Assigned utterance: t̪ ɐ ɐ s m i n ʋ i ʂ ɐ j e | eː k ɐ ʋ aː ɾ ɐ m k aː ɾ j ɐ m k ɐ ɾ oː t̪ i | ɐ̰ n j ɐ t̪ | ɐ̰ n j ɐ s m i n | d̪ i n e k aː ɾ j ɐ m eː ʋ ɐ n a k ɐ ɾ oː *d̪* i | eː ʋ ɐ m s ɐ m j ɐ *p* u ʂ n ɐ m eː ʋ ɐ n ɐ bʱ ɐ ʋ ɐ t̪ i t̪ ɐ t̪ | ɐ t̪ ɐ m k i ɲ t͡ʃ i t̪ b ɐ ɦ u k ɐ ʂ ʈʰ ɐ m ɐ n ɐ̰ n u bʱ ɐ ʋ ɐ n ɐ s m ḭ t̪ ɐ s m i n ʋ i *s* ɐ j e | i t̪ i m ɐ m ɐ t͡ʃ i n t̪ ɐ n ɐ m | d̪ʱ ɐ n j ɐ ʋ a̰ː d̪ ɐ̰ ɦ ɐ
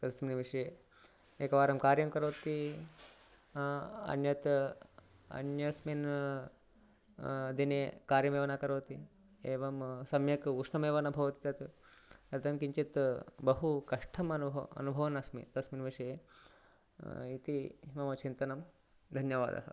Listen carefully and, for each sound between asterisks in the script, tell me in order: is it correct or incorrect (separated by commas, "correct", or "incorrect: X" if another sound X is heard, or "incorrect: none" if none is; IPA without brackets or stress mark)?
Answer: incorrect: t̪, incorrect: k, incorrect: ʂ